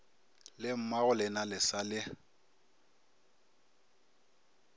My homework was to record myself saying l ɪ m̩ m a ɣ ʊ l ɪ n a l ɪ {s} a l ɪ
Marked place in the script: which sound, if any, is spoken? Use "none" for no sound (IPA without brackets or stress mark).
s